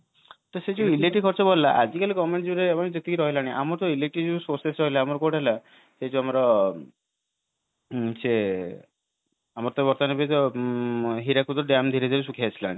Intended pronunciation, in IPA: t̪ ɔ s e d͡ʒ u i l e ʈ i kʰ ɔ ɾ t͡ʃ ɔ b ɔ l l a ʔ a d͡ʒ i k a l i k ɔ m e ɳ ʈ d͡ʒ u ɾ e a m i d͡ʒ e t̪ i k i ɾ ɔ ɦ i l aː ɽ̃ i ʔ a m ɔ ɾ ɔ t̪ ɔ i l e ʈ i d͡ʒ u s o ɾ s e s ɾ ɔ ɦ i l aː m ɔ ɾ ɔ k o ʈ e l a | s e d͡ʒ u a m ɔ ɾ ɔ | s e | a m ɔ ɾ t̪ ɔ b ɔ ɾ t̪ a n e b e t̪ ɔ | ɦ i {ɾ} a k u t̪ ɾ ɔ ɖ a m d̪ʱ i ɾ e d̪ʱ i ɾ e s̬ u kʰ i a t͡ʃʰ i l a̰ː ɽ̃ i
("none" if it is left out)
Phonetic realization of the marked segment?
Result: ɾ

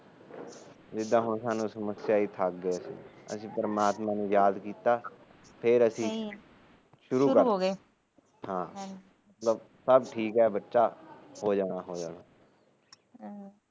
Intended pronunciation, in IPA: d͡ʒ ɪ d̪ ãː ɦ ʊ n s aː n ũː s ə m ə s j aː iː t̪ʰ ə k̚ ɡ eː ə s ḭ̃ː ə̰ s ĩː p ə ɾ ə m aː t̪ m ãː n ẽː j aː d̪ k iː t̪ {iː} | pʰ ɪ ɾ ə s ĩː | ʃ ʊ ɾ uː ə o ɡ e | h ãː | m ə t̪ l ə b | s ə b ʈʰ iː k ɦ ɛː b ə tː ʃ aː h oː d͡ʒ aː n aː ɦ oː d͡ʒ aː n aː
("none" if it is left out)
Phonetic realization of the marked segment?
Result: aː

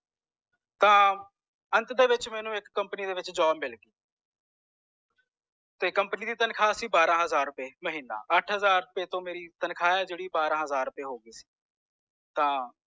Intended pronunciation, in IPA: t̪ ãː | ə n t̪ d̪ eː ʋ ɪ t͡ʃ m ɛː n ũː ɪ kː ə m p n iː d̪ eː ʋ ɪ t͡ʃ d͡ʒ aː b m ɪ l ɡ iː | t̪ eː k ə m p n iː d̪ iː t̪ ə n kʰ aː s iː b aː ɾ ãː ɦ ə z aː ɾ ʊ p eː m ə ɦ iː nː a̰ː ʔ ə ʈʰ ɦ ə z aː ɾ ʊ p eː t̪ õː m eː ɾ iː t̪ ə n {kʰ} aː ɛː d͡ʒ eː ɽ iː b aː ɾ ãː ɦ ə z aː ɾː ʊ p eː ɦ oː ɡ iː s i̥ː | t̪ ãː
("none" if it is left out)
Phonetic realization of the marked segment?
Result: kʰ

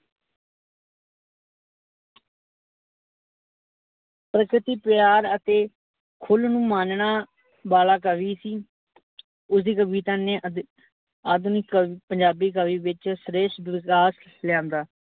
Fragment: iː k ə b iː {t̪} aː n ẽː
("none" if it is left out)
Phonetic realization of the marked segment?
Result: t̪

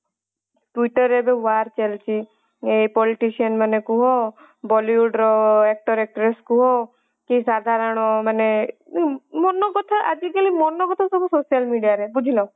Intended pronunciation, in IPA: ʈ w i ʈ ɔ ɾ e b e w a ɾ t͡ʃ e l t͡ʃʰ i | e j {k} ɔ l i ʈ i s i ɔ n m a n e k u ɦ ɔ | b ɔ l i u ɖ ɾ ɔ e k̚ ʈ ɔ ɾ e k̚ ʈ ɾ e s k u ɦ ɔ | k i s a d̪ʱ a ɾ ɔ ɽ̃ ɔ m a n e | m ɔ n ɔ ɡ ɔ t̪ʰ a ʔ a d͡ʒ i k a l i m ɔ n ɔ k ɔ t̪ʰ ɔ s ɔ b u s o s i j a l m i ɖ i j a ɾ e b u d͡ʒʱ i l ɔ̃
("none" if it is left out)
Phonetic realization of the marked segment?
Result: p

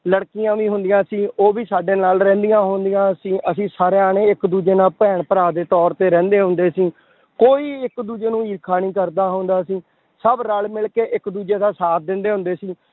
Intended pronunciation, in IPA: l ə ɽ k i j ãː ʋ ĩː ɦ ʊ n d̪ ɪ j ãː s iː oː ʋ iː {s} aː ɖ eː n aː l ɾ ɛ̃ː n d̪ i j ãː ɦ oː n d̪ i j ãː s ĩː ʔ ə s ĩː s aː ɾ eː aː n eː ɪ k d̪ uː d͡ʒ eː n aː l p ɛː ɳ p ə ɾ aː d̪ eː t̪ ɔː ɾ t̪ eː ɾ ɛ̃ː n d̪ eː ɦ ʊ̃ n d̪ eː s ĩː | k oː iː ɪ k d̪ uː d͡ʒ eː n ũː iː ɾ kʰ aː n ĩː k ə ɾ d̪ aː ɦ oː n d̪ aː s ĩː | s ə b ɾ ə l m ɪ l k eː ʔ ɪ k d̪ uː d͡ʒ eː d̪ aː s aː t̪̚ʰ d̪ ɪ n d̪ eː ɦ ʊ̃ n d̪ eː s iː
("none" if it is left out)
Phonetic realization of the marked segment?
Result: s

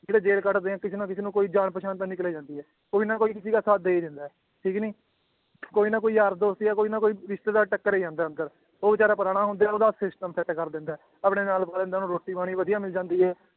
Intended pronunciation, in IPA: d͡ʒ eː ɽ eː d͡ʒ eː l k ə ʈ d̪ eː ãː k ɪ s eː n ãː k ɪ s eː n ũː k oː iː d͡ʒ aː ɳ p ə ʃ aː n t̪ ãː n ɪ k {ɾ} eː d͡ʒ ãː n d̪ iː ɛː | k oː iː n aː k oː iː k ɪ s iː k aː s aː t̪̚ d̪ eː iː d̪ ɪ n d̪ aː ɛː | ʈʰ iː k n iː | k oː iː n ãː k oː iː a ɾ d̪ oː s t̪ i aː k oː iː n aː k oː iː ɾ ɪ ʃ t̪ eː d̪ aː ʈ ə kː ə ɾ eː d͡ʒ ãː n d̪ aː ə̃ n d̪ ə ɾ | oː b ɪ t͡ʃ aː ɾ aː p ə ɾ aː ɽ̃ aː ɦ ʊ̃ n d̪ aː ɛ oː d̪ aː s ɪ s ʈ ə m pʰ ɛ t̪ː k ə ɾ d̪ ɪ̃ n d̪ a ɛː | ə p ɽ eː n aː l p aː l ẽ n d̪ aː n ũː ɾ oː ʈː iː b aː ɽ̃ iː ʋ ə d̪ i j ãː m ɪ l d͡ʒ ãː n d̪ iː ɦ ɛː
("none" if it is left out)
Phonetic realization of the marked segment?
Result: l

